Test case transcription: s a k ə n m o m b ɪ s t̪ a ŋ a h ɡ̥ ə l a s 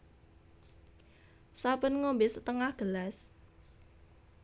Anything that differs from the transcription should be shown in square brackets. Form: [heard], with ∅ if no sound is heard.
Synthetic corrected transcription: s a [p] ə n [ŋ] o m b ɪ s t̪ [ə] ŋ a h ɡ̥ ə l a s